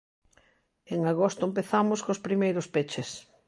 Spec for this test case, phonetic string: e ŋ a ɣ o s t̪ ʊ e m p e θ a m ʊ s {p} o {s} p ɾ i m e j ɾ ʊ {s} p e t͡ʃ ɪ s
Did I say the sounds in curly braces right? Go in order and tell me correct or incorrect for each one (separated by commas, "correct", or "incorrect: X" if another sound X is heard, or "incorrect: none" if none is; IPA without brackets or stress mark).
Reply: incorrect: k, correct, correct